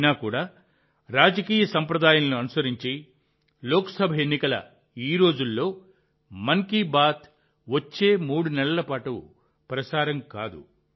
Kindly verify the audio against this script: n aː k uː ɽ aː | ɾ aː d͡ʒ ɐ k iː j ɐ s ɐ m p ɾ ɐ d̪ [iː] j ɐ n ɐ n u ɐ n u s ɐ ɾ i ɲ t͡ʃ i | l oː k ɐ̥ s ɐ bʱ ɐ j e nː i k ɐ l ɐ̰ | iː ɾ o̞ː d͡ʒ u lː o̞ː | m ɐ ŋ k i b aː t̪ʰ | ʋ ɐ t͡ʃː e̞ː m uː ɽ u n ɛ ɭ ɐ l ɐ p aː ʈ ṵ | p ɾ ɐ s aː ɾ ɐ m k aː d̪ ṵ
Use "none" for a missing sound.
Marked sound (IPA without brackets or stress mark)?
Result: aː